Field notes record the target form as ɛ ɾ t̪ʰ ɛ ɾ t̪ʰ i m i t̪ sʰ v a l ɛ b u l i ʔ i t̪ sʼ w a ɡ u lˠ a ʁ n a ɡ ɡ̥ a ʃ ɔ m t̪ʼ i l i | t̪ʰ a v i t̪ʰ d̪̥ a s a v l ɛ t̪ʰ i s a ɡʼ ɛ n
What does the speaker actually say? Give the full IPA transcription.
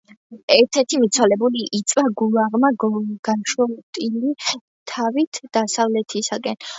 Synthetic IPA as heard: ɛ ɾ t̪ʰ ɛ ɾ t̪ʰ i m i t̪ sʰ w a l ɛ b u l i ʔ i t̪ sʼ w a ɡ u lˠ a ʁ m a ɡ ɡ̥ a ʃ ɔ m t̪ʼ i l i | t̪ʰ a v i t̪ʰ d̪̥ a s a v l ɛ t̪ʰ i s a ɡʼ ɛ n